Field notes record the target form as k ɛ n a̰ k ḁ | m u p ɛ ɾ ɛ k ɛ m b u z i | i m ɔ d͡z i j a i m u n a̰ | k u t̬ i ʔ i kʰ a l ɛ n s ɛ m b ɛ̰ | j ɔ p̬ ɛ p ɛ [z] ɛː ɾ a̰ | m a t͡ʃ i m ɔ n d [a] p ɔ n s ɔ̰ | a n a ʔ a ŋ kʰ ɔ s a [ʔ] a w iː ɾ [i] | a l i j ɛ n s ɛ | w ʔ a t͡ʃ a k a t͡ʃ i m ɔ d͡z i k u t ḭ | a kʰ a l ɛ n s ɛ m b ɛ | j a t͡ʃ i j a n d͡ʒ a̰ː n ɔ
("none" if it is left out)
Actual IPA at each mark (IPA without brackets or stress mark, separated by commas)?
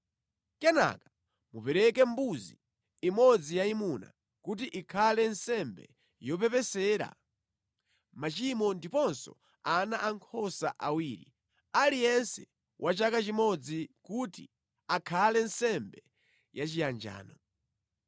s, i, ʔ, i